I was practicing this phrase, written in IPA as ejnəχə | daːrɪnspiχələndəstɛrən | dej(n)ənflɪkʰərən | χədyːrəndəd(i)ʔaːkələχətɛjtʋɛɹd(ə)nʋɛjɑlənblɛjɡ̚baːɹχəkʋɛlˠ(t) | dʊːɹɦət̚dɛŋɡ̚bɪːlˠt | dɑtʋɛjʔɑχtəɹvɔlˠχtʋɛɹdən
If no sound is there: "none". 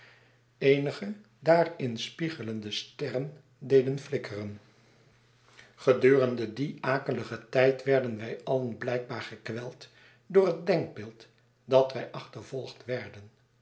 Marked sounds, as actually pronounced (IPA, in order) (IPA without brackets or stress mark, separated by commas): d, i, ə, t